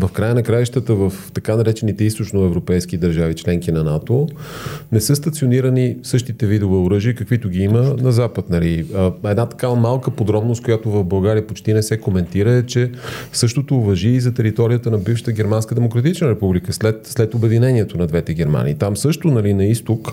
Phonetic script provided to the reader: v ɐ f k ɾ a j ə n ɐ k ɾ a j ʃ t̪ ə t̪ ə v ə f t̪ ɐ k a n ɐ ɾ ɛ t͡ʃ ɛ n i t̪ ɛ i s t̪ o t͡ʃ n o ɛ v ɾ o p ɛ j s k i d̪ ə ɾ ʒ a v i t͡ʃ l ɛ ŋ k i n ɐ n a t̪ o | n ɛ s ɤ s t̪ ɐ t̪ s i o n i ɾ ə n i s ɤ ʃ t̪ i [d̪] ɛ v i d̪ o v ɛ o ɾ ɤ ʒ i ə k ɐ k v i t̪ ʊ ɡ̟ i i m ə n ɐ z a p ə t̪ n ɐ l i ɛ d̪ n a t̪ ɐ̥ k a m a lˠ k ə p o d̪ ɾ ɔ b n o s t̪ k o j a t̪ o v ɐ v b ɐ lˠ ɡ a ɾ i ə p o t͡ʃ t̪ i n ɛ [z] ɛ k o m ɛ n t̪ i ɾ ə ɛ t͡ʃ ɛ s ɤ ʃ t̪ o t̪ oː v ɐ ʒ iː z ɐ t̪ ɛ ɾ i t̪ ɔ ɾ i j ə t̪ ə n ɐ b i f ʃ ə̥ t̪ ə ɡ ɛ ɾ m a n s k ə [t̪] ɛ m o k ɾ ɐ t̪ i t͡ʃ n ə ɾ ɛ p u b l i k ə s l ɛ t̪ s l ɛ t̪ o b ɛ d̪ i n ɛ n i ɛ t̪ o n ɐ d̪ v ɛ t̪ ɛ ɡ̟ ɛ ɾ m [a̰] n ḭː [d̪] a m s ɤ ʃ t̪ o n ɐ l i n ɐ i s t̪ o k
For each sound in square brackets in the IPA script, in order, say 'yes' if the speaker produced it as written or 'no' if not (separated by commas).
no, no, no, yes, no